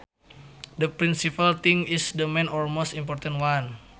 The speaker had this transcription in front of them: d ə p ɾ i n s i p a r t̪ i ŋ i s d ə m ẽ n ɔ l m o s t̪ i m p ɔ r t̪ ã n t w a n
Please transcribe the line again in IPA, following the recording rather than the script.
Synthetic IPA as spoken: d ə p ɾ i n s i p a l t̪ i ŋ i s d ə m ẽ n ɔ l m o s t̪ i m p ɔ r t̪ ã n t w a n